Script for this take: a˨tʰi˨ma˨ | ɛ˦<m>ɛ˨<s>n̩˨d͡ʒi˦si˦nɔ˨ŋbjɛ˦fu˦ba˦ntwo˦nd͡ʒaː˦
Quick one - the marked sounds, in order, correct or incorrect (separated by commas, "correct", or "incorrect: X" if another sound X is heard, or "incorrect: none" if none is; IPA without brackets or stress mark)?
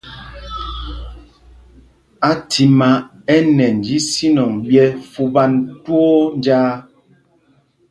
incorrect: n, incorrect: none